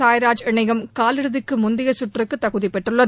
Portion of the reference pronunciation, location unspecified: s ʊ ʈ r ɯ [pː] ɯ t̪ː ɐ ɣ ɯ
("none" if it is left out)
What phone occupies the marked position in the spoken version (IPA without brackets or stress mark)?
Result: kː